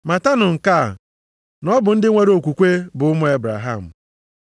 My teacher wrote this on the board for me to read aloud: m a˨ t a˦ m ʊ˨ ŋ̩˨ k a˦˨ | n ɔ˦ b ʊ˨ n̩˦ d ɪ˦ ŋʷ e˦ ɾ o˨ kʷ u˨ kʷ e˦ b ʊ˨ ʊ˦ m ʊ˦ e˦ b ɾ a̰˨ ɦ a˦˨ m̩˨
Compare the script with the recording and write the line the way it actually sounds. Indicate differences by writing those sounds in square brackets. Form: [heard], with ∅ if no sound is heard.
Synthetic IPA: m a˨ t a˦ [n] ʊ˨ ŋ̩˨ k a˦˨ | n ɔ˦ b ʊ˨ n̩˦ d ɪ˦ ŋʷ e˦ ɾ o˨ kʷ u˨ kʷ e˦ b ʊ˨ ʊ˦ m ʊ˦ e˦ b ɾ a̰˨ ɦ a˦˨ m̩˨